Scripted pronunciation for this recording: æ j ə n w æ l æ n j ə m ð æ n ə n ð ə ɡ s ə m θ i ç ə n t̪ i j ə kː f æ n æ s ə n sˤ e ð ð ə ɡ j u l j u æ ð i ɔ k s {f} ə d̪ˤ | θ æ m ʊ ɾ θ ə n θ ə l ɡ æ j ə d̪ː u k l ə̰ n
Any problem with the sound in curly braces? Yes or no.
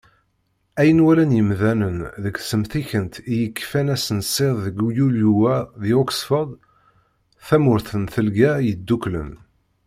no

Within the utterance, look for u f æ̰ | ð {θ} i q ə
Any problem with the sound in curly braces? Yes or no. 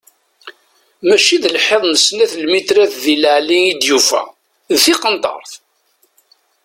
no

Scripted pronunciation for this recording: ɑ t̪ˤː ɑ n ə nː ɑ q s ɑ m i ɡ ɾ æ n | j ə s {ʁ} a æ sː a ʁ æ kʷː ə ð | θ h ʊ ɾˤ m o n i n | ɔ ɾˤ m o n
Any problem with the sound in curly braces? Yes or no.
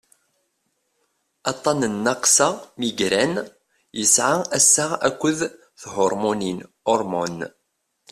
yes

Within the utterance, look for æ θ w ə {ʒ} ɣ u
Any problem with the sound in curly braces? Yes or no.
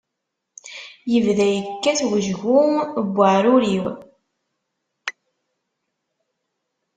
no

